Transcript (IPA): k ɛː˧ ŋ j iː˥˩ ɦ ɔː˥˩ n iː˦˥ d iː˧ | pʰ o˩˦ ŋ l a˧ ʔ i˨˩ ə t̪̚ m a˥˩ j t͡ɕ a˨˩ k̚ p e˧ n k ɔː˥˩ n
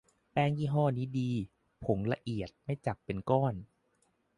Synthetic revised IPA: p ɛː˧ ŋ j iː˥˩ ɦ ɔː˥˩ n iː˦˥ d iː˧ | pʰ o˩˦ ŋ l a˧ ʔ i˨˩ ə t̪̚ m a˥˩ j t͡ɕ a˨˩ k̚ p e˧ n k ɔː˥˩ n